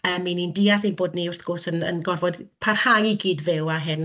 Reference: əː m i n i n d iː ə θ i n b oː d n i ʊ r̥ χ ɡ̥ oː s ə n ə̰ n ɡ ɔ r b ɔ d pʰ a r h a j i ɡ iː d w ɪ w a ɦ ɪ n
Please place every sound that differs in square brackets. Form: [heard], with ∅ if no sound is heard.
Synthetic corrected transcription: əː m i n i n d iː [a] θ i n b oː d n i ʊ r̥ [θ] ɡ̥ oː s ə n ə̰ n ɡ ɔ r [v] ɔ d pʰ a r h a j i ɡ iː d [v] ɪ w a ɦ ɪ n